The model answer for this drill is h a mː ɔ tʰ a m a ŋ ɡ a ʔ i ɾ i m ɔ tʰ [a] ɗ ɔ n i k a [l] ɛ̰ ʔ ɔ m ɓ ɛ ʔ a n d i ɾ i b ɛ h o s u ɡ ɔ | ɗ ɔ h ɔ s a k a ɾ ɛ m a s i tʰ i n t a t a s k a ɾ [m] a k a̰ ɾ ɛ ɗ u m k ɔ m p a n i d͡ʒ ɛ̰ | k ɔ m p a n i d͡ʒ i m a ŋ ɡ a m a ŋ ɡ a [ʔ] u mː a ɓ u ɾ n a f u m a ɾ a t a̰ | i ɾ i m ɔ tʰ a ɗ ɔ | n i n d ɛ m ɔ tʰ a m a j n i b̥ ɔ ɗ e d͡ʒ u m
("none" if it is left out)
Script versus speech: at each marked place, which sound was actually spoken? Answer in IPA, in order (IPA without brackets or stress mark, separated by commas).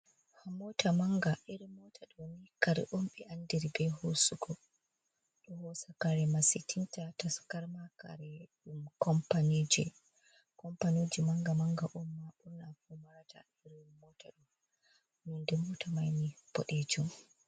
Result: a, ɾ, m, ʔ